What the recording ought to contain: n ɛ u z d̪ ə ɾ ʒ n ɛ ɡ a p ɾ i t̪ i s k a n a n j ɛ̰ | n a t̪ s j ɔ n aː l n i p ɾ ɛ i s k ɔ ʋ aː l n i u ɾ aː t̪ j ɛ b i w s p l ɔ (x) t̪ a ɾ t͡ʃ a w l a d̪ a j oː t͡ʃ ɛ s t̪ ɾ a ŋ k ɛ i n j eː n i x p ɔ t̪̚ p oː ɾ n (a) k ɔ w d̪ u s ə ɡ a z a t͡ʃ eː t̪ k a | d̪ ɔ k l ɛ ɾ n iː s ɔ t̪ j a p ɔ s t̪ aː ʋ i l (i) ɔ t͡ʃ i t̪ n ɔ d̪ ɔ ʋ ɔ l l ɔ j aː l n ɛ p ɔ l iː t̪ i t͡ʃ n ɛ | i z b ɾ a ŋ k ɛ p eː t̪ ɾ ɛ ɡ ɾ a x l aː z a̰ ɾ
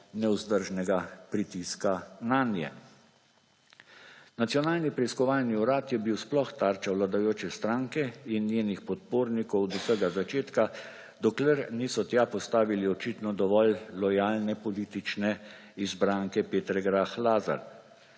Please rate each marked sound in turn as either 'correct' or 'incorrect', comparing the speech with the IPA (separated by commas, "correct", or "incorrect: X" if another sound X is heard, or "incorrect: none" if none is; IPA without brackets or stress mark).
correct, incorrect: i, correct